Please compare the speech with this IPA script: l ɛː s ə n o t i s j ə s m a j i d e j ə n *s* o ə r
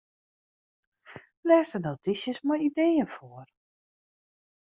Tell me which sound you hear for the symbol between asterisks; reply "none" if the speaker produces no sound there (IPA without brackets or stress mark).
f